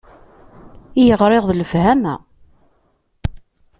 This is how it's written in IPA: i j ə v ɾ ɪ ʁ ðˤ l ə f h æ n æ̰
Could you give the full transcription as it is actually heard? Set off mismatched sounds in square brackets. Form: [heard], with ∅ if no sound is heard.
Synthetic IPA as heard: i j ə [ʁ] ɾ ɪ ʁ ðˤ l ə f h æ [m] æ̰